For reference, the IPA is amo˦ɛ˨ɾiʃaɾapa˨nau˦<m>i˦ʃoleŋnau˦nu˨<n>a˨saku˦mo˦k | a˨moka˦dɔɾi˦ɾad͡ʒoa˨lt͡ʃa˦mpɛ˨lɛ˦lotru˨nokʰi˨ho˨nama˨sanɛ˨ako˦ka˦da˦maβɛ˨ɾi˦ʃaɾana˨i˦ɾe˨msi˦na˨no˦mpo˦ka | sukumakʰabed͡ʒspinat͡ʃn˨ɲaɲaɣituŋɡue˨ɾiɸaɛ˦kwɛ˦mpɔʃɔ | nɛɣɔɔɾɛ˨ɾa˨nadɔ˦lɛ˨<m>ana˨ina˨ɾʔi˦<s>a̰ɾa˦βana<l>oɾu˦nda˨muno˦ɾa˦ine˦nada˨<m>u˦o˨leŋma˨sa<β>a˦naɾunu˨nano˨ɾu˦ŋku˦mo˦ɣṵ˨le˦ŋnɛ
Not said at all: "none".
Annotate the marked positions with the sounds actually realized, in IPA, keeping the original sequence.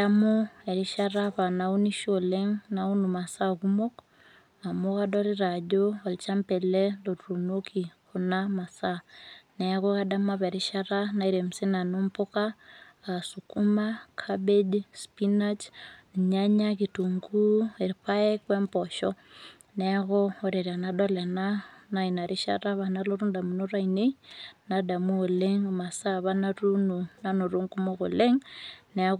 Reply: n, m, n, ʃ, l, m, β

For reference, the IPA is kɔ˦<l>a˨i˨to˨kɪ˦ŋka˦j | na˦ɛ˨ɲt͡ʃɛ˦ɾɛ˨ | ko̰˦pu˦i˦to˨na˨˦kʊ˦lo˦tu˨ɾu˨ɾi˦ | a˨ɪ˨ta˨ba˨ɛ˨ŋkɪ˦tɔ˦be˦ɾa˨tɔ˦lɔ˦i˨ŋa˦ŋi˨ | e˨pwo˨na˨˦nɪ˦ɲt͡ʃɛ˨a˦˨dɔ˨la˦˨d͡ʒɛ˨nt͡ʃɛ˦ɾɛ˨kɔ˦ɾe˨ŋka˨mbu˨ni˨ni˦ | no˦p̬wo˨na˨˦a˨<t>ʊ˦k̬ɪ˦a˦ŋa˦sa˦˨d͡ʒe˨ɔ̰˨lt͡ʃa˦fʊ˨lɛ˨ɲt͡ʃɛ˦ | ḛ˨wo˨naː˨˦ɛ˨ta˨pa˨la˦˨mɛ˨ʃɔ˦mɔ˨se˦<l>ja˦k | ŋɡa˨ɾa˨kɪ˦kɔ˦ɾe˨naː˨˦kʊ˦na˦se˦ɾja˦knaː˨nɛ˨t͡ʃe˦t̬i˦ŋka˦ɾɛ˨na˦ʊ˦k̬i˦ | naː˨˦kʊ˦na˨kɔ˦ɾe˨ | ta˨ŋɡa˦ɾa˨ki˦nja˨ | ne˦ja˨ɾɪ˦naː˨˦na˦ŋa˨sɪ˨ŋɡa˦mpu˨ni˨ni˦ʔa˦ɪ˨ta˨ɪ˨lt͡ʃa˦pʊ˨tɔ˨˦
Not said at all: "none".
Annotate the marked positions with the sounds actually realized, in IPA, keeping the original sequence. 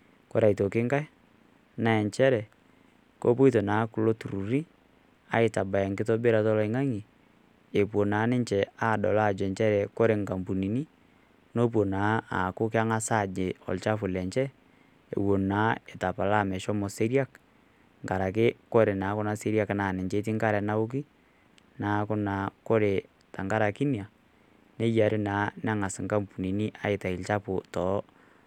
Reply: ɾ, k, ɾ

